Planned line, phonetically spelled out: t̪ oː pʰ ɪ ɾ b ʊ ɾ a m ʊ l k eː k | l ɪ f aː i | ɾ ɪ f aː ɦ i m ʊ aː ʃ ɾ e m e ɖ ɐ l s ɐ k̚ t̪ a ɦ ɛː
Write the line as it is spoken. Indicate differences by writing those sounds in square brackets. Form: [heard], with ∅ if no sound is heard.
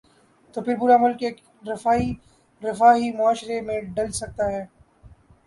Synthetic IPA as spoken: t̪ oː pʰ ɪ ɾ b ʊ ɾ a m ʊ l k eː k | [ɾ] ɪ f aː i | ɾ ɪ f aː ɦ i m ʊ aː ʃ ɾ e m [ẽ] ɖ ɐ l s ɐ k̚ t̪ a ɦ ɛː